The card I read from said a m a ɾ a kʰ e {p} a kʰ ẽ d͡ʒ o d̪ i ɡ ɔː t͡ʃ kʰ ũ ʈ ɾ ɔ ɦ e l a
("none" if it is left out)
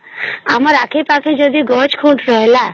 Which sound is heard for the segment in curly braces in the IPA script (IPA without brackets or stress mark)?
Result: p